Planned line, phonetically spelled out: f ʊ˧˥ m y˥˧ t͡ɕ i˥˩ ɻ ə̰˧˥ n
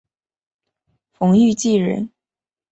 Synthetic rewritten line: f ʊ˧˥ ŋ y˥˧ t͡ɕ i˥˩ ɻ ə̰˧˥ n